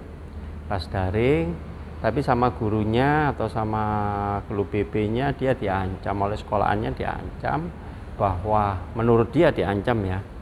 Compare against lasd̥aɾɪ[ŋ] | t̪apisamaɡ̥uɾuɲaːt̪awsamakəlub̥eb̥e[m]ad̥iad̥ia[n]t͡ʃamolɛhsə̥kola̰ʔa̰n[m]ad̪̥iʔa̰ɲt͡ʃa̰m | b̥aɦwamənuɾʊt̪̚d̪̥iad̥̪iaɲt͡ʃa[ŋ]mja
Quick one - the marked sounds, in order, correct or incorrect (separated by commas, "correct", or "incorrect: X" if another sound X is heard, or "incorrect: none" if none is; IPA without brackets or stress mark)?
correct, incorrect: ɲ, incorrect: ɲ, incorrect: ɲ, incorrect: none